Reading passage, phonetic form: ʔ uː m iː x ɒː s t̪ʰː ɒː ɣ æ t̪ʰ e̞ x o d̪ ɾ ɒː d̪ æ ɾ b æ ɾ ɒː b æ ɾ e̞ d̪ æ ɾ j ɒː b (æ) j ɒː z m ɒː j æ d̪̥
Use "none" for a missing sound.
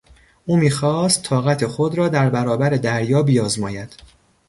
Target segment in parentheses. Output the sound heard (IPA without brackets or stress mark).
i